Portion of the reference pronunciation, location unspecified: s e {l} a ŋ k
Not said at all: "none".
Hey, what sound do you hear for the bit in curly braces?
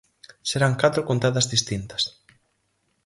ɾ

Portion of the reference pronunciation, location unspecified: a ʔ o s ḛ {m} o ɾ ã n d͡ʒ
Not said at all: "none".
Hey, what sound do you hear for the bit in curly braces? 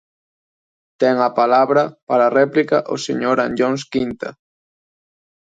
ɲ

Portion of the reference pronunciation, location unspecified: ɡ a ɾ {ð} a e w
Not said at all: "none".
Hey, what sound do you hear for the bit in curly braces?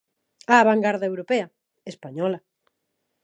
ð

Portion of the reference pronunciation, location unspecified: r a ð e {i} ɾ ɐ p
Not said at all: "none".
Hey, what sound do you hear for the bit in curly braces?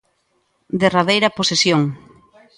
j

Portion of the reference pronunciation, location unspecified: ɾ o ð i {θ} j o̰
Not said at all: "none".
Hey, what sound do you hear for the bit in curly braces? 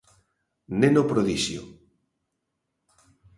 ʃ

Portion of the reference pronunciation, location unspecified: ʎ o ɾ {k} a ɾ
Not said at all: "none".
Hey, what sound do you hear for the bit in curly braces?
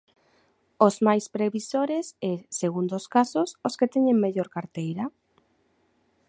k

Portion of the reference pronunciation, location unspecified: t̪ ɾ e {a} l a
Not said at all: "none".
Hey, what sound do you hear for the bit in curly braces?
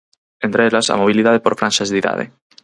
e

